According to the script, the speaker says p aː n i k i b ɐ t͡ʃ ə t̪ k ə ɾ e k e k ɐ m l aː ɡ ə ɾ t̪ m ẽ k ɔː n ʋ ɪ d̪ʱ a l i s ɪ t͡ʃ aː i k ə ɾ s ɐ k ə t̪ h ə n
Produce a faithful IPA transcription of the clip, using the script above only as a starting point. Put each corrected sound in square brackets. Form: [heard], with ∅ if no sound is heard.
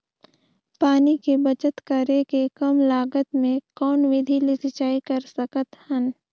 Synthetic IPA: p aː n i k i b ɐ t͡ʃ ə t̪ k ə ɾ e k e k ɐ m l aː ɡ ə [∅] t̪ m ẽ k ɔː n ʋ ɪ d̪ʱ [i] l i s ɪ t͡ʃ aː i k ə ɾ s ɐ k ə t̪ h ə n